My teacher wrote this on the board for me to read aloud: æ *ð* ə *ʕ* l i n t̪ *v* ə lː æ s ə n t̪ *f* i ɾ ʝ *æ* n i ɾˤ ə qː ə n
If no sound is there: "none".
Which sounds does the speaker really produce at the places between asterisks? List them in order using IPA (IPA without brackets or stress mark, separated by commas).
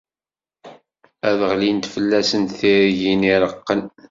ð, ʁ, f, θ, i